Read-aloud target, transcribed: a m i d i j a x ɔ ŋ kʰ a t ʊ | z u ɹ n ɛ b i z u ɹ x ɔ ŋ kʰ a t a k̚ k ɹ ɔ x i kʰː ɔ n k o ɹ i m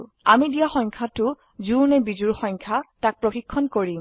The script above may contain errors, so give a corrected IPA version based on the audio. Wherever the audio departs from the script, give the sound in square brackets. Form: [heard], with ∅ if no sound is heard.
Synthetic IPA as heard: a m i d i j a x ɔ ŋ kʰ a t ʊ | z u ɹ n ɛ b i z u ɹ x ɔ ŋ kʰ a t a k̚ [p] ɹ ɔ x i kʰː ɔ n k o ɹ i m